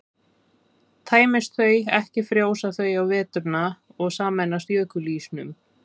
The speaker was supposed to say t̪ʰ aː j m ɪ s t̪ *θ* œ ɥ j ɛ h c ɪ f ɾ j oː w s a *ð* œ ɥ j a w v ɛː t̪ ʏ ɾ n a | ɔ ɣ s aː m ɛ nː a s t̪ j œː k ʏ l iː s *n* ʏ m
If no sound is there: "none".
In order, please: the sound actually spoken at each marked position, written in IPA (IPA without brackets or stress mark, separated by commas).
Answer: θ, θ, n